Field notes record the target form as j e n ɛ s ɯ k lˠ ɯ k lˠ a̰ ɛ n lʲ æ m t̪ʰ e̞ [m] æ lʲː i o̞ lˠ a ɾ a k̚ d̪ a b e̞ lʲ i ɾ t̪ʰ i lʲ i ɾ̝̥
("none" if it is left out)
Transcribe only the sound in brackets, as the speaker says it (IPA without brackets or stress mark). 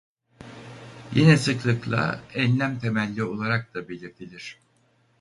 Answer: m